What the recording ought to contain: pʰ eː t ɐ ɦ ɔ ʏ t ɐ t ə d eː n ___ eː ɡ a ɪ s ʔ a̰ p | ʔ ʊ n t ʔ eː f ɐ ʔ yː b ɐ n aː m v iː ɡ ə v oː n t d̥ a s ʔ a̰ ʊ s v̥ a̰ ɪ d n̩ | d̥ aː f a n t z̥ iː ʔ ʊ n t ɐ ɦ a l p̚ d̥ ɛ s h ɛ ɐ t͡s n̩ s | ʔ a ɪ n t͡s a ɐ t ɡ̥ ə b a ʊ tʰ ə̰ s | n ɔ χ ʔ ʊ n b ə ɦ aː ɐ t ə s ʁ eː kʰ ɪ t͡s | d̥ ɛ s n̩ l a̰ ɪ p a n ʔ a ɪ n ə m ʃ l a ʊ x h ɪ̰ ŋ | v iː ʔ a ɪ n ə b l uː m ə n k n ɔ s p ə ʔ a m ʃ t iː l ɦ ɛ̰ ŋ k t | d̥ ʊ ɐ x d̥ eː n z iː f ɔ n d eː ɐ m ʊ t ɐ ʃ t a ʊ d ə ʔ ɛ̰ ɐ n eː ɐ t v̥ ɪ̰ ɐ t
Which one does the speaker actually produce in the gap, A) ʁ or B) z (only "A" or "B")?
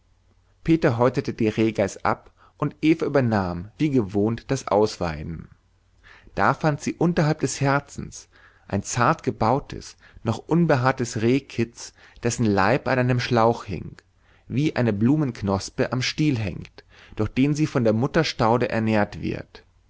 A